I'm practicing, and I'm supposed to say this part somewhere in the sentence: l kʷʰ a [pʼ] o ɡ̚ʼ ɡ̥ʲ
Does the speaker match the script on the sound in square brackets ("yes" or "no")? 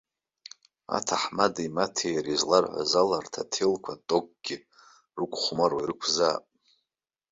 no